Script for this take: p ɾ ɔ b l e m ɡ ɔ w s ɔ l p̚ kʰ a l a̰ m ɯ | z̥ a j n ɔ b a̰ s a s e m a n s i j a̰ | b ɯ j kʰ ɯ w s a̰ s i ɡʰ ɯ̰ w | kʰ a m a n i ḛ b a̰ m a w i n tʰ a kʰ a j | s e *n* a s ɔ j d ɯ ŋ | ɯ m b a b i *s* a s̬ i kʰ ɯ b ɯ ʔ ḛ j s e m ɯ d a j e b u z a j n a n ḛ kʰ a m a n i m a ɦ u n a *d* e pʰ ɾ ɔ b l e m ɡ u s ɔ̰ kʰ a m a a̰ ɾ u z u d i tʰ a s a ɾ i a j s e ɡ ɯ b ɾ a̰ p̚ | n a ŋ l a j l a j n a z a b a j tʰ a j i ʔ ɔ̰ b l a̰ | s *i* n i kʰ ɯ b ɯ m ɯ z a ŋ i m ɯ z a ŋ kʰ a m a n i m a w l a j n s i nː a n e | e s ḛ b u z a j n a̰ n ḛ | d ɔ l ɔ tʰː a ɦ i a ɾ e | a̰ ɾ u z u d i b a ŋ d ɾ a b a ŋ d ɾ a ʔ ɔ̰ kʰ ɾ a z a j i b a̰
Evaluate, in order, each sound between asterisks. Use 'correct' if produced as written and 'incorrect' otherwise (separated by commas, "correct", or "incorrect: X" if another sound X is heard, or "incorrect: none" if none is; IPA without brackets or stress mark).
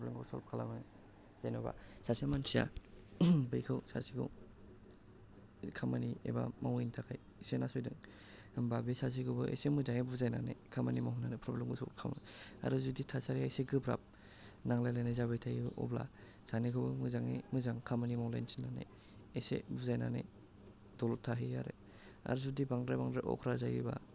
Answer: correct, correct, incorrect: n, incorrect: a